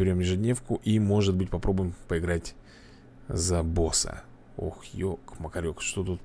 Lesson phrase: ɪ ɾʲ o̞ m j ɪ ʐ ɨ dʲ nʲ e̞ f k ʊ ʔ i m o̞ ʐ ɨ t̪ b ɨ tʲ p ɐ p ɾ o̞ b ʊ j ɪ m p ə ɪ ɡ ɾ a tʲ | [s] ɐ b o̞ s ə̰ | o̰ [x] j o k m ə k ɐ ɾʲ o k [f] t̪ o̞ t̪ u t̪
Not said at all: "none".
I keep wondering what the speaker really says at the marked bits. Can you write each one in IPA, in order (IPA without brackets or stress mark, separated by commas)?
z, x, ʂ